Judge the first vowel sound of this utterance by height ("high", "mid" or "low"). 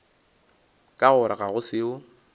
low